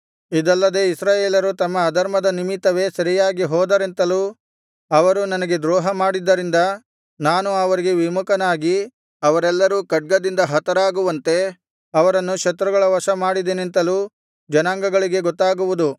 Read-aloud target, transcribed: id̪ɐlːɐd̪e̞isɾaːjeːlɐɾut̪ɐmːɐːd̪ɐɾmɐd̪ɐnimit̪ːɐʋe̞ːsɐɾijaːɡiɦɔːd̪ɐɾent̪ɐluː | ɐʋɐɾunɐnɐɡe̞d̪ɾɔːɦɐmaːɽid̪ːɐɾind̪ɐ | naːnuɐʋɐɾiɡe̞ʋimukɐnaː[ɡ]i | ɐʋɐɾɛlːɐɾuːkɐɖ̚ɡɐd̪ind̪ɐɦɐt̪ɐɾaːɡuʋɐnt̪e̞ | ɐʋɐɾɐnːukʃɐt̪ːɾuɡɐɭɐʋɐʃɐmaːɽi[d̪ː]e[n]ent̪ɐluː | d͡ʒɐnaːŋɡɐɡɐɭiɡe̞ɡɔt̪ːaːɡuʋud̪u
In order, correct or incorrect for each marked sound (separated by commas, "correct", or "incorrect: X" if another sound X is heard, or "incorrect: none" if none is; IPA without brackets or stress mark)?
correct, incorrect: d̪, correct